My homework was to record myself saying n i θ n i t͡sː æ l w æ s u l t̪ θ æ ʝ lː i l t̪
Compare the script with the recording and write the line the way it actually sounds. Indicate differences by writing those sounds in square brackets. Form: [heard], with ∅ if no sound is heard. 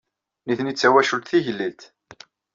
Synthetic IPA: n i θ n i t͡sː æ [∅] w æ [ʃ] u l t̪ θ [i] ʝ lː i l t̪